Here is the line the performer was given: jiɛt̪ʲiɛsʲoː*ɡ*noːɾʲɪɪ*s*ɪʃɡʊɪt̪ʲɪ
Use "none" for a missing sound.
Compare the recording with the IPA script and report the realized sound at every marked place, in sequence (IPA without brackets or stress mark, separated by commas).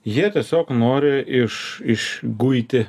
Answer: k, ʃ